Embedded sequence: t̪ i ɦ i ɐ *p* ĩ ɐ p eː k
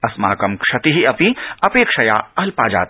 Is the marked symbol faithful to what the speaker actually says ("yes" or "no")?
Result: yes